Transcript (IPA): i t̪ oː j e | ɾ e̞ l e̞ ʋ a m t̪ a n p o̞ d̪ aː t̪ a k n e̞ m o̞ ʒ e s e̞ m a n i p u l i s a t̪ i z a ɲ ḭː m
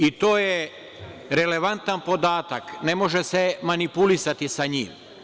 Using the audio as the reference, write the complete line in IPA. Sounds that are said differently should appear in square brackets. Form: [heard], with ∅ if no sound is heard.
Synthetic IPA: i t̪ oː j e | ɾ e̞ l e̞ ʋ a [n] t̪ a n p o̞ d̪ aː t̪ a k n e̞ m o̞ ʒ e s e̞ m a n i p u l i s a t̪ i [s] a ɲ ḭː m